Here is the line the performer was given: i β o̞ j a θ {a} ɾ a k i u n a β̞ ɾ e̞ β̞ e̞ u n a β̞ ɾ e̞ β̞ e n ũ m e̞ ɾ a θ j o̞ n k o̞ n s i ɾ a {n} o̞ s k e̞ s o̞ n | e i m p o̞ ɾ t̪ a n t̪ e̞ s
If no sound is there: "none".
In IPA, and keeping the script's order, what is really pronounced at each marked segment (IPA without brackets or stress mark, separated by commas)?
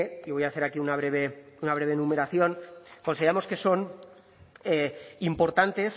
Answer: e, m